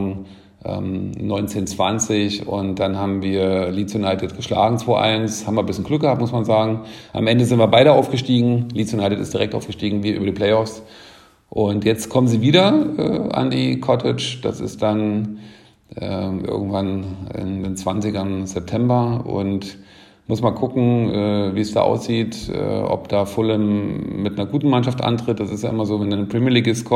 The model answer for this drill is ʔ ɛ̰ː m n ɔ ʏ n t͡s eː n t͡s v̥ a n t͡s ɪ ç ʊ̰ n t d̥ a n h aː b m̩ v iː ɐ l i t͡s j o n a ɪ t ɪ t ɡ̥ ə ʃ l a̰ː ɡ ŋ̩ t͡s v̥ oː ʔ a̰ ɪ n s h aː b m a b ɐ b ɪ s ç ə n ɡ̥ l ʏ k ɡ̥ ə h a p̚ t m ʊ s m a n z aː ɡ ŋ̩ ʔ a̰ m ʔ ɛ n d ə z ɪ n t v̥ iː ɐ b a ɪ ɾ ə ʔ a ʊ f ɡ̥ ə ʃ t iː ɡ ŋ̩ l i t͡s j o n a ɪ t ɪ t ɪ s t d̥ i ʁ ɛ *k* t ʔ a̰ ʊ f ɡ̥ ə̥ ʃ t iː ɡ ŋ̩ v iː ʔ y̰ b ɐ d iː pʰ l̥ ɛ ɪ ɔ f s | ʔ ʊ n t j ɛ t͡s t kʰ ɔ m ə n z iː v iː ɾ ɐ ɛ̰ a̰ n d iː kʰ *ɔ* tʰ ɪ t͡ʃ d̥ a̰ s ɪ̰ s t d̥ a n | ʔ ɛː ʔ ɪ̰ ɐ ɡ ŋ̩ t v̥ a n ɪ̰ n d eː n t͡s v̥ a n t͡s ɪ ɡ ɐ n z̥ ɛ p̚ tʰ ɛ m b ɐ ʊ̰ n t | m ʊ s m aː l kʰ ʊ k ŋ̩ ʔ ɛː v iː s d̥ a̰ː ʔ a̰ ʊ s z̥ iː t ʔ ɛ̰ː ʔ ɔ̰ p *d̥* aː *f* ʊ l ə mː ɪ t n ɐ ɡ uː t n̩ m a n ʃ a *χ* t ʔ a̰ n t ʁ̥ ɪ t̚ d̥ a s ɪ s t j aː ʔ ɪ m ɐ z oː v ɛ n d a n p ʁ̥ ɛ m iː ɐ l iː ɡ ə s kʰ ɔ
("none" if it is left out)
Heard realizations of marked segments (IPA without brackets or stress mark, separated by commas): k, ɔ, d̥, f, f